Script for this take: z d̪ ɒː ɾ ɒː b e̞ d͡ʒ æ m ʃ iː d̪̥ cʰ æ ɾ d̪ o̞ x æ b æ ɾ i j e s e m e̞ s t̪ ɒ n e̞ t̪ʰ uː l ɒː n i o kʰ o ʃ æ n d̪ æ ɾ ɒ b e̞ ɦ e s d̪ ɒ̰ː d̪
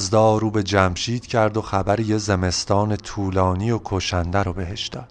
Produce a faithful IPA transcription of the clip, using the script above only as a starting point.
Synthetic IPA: z d̪ ɒː ɾ uː b e̞ d͡ʒ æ m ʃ iː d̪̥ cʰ æ ɾ d̪ o̞ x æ b æ ɾ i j e z e m e̞ s t̪ ɒː n e̞ t̪ʰ uː l ɒː n i o kʰ o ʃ æ n d̪ æ ɾ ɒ b e̞ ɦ e ʃ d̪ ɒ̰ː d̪